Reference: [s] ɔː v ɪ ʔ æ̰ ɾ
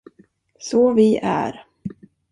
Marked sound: correct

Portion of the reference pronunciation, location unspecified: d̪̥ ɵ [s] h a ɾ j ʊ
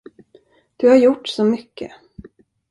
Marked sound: incorrect: none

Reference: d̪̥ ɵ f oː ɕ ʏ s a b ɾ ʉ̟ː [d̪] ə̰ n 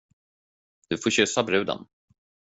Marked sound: correct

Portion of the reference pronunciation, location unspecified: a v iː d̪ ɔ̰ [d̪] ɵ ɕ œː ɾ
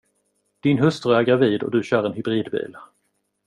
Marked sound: correct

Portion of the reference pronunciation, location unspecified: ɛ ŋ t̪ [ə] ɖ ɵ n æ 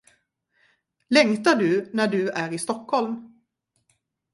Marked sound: incorrect: a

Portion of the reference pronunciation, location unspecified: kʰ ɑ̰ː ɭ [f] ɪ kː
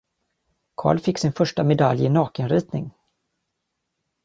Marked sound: correct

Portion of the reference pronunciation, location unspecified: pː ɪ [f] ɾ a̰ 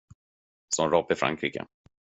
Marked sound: correct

